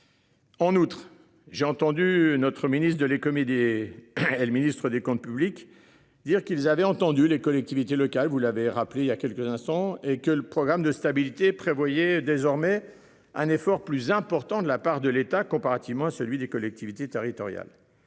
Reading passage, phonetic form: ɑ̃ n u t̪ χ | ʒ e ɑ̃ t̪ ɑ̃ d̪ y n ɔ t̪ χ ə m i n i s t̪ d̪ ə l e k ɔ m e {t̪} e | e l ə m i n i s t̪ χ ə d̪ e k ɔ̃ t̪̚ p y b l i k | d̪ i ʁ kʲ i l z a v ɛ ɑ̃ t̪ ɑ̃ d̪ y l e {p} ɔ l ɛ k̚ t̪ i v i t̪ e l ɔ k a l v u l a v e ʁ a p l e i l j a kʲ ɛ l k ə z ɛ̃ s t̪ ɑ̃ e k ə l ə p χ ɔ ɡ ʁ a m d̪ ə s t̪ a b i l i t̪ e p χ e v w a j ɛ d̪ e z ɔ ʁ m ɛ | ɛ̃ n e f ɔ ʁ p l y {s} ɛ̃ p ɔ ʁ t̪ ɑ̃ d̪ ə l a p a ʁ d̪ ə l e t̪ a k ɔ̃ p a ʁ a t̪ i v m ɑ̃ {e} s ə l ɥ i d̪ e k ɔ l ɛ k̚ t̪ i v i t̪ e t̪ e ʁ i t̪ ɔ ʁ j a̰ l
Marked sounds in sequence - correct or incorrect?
incorrect: d̪, incorrect: k, incorrect: z, incorrect: a

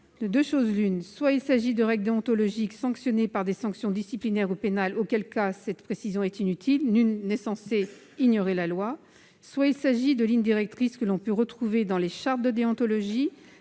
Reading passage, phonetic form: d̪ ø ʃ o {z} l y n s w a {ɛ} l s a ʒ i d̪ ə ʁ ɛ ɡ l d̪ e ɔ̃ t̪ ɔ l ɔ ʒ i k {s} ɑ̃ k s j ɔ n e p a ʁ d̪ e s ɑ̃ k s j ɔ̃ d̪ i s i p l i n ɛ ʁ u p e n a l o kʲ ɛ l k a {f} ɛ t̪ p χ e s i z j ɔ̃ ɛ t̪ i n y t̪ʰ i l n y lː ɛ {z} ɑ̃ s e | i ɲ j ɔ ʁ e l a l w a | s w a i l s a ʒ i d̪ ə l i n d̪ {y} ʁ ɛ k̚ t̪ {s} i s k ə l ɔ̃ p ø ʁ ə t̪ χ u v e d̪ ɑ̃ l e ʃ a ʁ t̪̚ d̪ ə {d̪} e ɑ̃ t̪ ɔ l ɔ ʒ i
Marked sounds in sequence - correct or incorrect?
correct, incorrect: i, correct, incorrect: s, incorrect: s, incorrect: i, incorrect: χ, correct

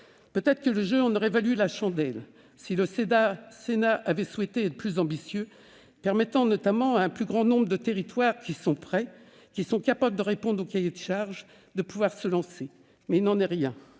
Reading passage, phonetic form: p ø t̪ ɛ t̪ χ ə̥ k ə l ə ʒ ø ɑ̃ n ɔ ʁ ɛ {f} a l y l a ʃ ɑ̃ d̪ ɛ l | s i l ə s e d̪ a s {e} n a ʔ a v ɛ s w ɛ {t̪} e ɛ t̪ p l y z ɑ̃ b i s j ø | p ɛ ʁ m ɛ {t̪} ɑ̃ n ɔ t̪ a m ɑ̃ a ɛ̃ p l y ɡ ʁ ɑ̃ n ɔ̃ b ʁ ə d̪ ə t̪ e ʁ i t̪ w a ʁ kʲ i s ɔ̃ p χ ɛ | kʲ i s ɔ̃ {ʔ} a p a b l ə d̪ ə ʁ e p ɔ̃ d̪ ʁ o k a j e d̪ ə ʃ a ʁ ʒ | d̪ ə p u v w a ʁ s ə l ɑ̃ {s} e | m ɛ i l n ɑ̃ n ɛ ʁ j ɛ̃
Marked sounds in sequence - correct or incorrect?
incorrect: v, correct, correct, correct, incorrect: k, correct

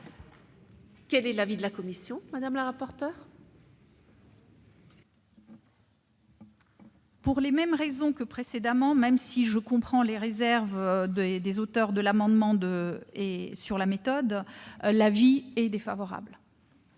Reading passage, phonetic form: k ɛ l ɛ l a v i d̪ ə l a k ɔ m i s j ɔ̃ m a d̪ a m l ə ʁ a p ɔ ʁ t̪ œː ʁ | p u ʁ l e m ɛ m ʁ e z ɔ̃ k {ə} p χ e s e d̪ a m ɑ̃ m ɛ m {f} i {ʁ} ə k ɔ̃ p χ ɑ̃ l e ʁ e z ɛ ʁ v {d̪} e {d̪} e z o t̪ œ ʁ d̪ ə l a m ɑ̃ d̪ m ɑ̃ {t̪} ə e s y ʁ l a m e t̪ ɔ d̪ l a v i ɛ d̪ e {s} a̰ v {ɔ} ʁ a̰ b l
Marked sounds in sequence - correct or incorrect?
correct, incorrect: s, incorrect: ʒ, correct, correct, incorrect: d̪, incorrect: f, correct

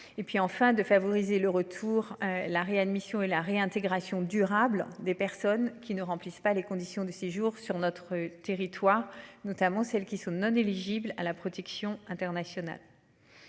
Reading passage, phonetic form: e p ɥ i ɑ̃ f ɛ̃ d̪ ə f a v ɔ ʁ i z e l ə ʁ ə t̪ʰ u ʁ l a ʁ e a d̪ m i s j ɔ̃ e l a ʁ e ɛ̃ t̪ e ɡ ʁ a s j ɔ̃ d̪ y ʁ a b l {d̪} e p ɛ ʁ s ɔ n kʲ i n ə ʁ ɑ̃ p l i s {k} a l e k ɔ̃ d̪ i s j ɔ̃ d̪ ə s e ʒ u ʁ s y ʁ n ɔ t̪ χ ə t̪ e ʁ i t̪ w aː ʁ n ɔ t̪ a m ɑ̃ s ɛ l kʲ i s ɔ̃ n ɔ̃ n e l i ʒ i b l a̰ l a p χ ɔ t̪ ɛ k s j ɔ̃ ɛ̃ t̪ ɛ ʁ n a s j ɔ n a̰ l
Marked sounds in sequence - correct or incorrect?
correct, incorrect: p

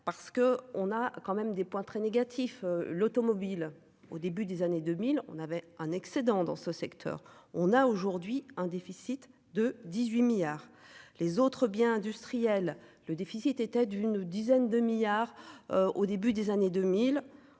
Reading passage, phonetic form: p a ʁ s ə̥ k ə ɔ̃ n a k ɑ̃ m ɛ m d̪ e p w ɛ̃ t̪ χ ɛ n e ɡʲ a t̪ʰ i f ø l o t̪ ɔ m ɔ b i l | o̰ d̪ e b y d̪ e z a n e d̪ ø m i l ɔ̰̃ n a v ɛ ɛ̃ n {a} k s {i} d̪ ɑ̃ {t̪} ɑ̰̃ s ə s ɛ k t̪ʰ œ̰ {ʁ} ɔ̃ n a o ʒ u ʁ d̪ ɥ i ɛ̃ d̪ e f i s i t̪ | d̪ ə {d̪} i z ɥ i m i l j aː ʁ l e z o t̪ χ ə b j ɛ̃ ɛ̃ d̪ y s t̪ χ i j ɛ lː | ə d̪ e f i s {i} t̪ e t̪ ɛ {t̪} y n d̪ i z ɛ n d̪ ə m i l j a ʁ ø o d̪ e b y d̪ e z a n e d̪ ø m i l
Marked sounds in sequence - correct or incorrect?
incorrect: ɛ, incorrect: e, incorrect: d̪, correct, correct, correct, incorrect: d̪

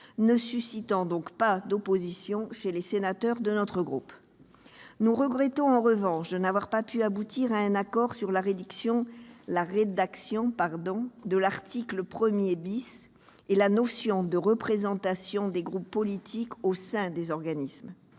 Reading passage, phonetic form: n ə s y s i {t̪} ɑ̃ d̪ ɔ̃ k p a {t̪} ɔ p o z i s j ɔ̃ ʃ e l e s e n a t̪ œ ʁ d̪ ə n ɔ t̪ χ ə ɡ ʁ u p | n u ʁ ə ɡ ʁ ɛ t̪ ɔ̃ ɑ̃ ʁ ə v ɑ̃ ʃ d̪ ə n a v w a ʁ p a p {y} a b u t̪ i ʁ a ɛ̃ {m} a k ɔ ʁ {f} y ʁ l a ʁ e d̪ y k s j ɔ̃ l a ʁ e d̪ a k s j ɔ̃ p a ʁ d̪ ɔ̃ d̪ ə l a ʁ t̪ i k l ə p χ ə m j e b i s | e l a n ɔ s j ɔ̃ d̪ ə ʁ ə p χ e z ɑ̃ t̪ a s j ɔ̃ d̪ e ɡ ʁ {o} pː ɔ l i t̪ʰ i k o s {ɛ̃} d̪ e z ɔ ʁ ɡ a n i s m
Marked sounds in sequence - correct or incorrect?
correct, incorrect: d̪, correct, incorrect: n, incorrect: s, incorrect: u, correct

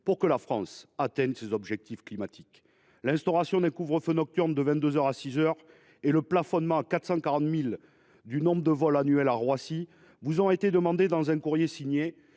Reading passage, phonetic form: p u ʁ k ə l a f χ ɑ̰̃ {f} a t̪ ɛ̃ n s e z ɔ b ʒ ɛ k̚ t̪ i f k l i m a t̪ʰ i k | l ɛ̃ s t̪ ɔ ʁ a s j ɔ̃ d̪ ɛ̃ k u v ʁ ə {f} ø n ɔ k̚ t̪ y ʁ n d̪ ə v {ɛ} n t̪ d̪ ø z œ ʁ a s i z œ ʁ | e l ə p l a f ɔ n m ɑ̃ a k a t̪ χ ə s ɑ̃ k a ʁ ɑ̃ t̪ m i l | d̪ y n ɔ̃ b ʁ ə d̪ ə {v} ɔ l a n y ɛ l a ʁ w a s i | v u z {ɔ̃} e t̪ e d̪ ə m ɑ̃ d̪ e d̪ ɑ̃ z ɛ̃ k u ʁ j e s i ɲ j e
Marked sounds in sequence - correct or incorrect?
incorrect: s, correct, incorrect: ɛ̃, correct, correct

